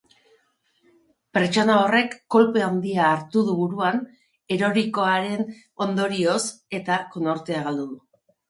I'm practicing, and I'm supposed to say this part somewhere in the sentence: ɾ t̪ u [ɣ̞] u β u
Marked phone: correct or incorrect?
incorrect